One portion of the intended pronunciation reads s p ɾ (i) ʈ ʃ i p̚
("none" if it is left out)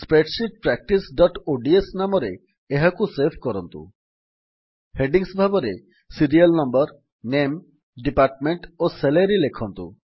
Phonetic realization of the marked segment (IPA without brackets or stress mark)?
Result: e